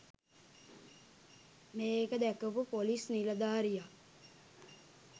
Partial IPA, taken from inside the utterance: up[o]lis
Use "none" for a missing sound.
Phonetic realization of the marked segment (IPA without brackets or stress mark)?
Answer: o